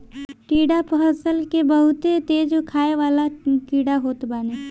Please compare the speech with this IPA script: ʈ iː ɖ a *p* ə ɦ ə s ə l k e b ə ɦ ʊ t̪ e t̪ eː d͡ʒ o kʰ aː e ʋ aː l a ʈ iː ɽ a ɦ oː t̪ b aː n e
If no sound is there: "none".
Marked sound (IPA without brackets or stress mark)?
p